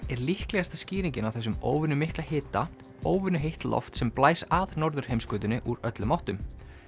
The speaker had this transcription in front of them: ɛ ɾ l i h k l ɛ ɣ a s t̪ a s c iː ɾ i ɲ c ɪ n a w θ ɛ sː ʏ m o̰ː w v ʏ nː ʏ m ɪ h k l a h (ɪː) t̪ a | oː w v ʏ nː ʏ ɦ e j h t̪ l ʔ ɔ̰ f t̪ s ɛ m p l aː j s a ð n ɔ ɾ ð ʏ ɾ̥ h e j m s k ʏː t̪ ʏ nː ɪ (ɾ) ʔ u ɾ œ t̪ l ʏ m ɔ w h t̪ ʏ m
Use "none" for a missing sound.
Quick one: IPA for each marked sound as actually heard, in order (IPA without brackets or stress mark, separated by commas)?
ɪː, none